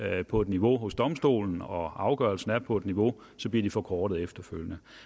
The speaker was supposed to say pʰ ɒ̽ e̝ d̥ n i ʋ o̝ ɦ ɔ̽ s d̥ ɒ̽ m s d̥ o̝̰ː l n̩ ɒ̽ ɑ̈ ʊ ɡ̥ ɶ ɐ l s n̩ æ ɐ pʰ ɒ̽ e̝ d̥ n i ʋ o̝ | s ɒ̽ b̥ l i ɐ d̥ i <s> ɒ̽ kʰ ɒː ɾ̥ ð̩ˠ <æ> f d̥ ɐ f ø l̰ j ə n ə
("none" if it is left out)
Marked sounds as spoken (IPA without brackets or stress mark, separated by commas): f, e